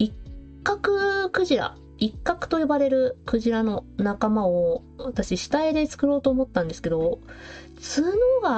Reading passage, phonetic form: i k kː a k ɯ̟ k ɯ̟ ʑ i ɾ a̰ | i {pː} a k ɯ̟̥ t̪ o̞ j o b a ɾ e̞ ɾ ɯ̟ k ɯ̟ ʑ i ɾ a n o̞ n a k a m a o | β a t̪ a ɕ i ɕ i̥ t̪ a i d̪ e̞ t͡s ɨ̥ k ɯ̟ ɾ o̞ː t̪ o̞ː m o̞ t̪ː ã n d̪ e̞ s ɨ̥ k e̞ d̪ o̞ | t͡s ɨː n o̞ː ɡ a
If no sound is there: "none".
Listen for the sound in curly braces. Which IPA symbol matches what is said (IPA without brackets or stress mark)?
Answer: kː